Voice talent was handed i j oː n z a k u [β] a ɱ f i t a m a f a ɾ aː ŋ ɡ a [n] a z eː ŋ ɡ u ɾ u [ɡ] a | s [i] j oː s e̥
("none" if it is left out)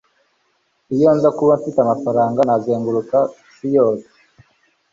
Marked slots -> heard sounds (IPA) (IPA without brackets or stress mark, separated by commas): β, n, k, i